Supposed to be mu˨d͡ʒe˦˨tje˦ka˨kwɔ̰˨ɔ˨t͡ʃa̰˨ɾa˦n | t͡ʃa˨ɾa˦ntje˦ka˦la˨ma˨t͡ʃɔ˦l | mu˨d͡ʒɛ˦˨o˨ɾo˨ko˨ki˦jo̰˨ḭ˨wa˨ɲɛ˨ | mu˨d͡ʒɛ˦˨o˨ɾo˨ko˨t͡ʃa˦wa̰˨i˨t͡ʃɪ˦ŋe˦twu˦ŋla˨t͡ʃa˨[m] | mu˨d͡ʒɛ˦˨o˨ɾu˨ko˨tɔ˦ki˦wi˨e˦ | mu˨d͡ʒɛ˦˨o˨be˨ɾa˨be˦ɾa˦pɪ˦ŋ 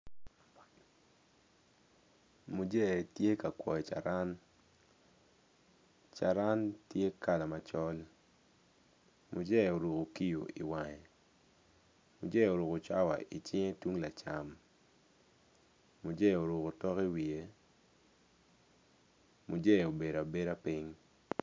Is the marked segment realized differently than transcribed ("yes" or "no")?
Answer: no